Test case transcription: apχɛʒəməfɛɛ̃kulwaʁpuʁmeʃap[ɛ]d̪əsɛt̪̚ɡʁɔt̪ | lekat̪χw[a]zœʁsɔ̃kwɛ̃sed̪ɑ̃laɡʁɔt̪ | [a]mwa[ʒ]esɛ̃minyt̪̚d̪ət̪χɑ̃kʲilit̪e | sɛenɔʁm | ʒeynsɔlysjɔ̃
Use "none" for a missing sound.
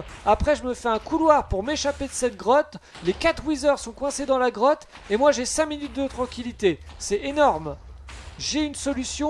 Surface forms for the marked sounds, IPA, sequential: e, i, e, ʒ

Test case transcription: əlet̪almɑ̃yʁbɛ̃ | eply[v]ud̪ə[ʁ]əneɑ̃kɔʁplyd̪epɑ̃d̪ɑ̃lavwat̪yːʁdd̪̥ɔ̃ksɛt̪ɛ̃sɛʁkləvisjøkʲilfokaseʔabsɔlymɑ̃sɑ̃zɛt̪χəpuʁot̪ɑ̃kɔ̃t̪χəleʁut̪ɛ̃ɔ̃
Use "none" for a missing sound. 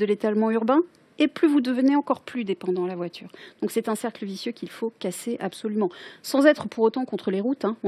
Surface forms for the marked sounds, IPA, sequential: v, v

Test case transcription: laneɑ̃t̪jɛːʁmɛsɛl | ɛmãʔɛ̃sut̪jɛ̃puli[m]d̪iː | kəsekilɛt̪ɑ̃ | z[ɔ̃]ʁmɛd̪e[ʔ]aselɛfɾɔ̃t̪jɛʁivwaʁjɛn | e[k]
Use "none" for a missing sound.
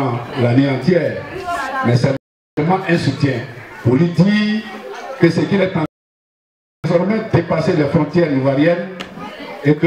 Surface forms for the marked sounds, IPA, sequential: none, ɔ, p, k

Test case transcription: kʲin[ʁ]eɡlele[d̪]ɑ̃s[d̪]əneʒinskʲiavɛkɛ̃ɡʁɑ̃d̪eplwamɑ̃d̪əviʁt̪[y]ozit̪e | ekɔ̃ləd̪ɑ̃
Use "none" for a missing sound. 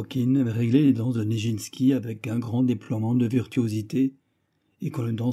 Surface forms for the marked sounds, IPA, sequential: ʁ, d̪, d̪, y

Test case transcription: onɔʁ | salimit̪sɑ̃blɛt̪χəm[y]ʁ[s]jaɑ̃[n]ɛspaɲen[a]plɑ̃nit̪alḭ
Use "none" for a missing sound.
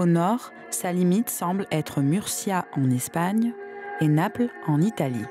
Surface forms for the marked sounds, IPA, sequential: y, s, n, a

